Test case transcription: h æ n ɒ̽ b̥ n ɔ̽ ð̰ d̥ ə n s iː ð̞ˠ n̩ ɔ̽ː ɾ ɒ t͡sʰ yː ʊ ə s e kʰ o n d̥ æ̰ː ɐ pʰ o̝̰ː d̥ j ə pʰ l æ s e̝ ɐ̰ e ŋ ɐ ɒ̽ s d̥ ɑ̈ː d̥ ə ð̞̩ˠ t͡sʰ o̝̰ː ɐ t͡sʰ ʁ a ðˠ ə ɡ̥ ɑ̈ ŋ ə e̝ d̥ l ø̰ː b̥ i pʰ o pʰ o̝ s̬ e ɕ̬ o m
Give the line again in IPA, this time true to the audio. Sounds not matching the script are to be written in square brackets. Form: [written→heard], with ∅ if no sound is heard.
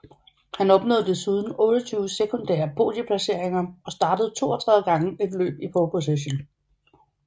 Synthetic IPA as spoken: h æ n ɒ̽ b̥ n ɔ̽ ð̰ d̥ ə [n→∅] s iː ð̞ˠ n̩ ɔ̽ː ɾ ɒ t͡sʰ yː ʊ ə s e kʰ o n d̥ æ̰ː ɐ pʰ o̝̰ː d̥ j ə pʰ l æ s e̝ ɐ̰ e ŋ ɐ ɒ̽ s d̥ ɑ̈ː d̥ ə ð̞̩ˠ t͡sʰ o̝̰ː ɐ t͡sʰ ʁ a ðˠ ə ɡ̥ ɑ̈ ŋ ə e̝ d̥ l ø̰ː b̥ i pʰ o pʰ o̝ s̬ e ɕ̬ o [m→n]